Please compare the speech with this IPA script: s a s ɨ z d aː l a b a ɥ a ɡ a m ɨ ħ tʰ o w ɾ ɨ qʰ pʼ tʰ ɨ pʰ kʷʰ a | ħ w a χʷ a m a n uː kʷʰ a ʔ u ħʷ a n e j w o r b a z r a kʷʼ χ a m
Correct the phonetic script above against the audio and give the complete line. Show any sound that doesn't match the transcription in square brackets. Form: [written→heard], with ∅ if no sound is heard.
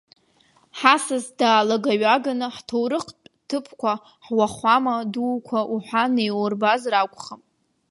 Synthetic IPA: [s→ħ] a s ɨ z d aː l a [b→ɡ] a ɥ a ɡ a [m→n] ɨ ħ tʰ o w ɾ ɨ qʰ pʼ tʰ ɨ pʰ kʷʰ a | ħ w a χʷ a m a [n→d] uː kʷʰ a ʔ u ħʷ a n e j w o r b a z r a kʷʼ χ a m